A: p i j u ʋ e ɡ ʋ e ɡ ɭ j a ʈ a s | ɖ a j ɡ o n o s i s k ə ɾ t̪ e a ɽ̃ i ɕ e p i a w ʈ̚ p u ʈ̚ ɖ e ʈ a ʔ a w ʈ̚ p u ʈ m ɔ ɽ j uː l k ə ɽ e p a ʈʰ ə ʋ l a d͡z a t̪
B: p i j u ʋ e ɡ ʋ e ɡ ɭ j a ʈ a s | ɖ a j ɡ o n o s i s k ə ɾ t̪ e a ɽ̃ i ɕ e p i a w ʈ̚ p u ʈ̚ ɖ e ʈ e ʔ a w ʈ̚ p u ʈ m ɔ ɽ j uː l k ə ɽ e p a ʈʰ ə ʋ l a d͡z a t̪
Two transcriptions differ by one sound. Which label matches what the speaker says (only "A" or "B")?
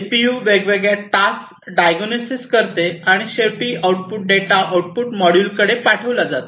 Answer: A